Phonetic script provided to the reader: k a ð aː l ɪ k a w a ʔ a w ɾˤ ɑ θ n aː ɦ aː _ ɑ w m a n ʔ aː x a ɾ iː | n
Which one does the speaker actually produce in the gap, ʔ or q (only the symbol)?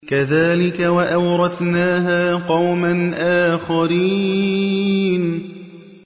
q